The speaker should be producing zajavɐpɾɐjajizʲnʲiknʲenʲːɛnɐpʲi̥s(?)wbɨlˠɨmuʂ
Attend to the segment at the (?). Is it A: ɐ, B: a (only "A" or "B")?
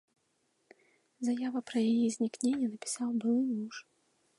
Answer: B